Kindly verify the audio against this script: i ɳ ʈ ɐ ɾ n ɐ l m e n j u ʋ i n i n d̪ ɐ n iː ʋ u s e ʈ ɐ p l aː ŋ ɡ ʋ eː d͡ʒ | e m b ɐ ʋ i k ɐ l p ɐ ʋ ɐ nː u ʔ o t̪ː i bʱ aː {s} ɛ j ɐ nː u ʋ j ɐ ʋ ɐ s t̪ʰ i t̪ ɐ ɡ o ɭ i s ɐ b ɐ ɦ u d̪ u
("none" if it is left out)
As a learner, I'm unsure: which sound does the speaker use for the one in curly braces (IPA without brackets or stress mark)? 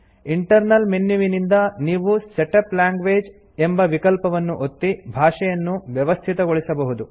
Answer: ʂ